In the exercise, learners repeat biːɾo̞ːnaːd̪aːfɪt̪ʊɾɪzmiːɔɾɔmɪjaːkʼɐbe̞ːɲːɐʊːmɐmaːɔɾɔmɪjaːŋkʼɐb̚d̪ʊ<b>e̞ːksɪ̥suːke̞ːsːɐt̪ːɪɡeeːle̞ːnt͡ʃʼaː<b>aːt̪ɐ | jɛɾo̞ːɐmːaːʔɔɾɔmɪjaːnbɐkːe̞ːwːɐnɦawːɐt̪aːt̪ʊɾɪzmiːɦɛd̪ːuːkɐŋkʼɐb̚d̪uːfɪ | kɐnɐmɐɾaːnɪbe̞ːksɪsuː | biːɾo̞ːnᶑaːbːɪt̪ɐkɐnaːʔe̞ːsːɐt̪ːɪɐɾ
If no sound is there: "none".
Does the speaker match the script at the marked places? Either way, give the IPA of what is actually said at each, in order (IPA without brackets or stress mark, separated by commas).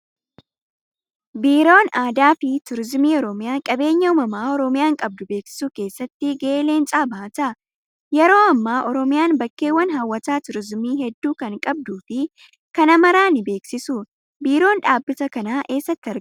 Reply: b, b